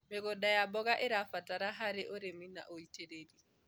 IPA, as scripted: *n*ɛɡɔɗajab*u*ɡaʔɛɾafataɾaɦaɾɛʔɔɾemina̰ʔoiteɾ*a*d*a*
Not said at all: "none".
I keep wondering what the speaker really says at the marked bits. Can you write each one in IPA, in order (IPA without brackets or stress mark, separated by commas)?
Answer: m, ɔ, e, i